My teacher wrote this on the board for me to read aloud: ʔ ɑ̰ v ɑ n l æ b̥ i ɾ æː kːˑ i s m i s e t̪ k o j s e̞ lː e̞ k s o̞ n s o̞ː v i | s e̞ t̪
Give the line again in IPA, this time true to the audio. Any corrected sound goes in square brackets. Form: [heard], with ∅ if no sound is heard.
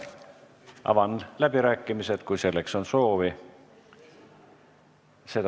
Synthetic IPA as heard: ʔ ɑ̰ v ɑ n l æ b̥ i ɾ æː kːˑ i [∅] m i s e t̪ k [u] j s e̞ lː e̞ k s o̞ n s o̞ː v i | s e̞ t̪